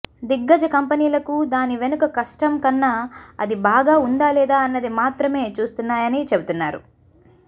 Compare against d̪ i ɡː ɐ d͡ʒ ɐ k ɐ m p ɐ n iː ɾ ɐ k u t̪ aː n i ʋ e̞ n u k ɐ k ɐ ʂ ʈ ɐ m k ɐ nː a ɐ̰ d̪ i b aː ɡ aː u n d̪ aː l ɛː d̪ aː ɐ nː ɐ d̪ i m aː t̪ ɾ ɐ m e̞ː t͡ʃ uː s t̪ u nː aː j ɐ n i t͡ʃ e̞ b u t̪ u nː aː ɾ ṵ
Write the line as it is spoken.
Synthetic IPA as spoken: d̪ i ɡː ɐ d͡ʒ ɐ k ɐ m p ɐ n iː l ɐ k u d̪ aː n i ʋ e̞ n u k ɐ k ɐ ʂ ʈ ɐ m k ɐ nː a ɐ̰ d̪ i b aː ɡ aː u n d̪ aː l ɛː d̪ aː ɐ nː ɐ d̪ i m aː t̪ ɾ ɐ m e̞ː t͡ʃ uː s t̪ u nː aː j ɐ n i t͡ʃ e̞ b u t̪ u nː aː ɾ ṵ

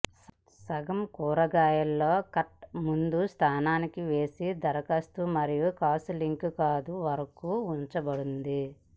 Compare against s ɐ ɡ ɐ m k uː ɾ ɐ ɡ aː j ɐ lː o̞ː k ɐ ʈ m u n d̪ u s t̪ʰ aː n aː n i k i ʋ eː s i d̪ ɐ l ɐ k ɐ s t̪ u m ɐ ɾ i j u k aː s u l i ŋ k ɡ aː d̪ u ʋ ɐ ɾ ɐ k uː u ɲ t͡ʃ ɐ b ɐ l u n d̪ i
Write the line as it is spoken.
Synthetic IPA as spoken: s ɐ ɡ ɐ m k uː ɾ ɐ ɡ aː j ɐ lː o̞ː k ɐ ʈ m u n d̪ u s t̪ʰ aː n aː n i k i ʋ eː s i d̪ ɐ ɾ ɐ k ɐ s t̪ u m ɐ ɾ i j u k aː s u l i ŋ k k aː d̪ u ʋ ɐ ɾ ɐ k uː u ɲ t͡ʃ ɐ b ɐ ɽ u n d̪ i

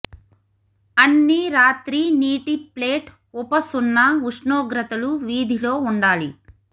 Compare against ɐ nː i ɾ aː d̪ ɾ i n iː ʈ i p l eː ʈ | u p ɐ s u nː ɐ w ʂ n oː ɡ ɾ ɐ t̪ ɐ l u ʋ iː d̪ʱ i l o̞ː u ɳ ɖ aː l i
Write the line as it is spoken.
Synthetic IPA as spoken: ɐ nː i ɾ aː t̪ ɾ i n iː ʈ i p l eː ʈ | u p ɐ s u nː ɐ u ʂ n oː ɡ ɾ ɐ t̪ ɐ l u ʋ iː d̪ʱ i l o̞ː u ɳ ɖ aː l i

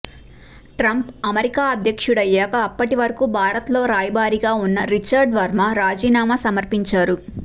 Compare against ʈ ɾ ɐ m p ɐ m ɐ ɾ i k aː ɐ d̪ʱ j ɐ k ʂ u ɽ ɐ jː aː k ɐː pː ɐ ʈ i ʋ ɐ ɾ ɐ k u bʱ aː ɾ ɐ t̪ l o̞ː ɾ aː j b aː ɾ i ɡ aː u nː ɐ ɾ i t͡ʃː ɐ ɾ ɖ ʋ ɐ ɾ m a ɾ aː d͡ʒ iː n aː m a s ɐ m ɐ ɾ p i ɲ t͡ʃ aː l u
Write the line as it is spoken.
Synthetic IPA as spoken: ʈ ɾ ɐ m p ɐ m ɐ ɾ i k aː ɐ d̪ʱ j ɐ k ʂ u ɽ ɐ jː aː k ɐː pː ɐ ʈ i ʋ ɐ ɾ ɐ k u bʱ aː ɾ ɐ t̪ l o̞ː ɾ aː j b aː ɾ i ɡ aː u nː ɐ ɾ i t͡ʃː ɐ ɾ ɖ ʋ ɐ ɾ m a ɾ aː d͡ʒ iː n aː m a s ɐ m ɐ ɾ p i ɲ t͡ʃ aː ɾ u

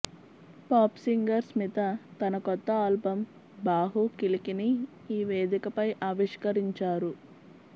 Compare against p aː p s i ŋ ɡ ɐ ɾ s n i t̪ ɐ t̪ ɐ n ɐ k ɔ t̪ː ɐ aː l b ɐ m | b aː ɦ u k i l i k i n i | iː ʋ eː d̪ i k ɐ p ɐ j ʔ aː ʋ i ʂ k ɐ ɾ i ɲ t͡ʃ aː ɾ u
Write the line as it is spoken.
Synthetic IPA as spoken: p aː p s i ŋ ɡ ɐ ɾ s m i t̪ ɐ t̪ ɐ n ɐ k ɔ t̪ː ɐ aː l b ɐ m | b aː ɦ u k i l i k i n i | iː ʋ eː d̪ i k ɐ p ɐ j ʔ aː ʋ i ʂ k ɐ ɾ i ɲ t͡ʃ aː ɾ u

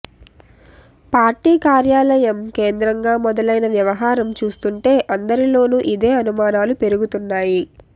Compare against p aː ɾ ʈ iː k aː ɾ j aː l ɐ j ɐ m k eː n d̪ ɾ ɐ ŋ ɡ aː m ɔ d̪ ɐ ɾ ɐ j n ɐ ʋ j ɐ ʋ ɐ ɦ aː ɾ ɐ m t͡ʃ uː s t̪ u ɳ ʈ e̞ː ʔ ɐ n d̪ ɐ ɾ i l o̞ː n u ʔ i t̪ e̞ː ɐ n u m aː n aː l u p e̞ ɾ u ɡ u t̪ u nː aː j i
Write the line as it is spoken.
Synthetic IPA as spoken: p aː ɾ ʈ iː k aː ɾ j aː l ɐ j ɐ m k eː n d̪ ɾ ɐ ŋ ɡ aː m ɔ d̪ ɐ l ɐ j n ɐ ʋ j ɐ ʋ ɐ ɦ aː ɾ ɐ m t͡ʃ uː s t̪ u ɳ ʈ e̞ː ʔ ɐ n d̪ ɐ ɾ i l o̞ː n u ʔ i d̪ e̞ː ɐ n u m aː n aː l u p e̞ ɾ u ɡ u t̪ u nː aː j i

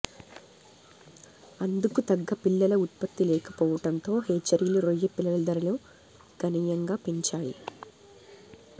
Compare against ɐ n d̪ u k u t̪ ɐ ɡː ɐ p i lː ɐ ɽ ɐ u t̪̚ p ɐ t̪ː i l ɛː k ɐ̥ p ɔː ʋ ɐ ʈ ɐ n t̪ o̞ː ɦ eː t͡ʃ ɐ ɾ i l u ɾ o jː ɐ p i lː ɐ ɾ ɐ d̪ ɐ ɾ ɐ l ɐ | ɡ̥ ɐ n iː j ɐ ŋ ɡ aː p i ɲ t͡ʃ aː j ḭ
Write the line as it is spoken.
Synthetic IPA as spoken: ɐ n d̪ u k u t̪ ɐ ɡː ɐ p i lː ɐ l ɐ u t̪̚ p ɐ t̪ː i l ɛː k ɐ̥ p ɔː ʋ ɐ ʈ ɐ n t̪ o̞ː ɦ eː t͡ʃ ɐ ɾ i l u ɾ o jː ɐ p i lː ɐ l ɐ d̪ ɐ ɾ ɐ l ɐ | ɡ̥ ɐ n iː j ɐ ŋ ɡ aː p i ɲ t͡ʃ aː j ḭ

